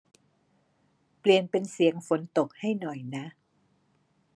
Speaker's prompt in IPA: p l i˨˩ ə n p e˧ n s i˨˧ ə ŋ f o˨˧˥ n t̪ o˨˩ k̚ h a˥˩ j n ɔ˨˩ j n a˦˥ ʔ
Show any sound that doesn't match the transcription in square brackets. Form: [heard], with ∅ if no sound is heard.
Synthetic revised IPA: p l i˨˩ ə n p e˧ n s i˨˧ ə ŋ f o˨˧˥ n t̪ o˨˩ k̚ h a˥˩ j n ɔ˨˩ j n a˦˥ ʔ